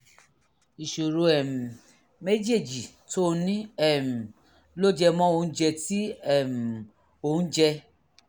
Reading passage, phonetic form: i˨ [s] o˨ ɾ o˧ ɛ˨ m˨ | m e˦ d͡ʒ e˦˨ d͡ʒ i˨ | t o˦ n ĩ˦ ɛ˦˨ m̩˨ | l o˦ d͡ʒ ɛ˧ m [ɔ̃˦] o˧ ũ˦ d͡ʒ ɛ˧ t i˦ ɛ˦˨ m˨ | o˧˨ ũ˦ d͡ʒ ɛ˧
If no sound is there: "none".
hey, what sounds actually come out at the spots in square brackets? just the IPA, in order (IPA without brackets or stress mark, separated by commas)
ʃ, ɔ̃˦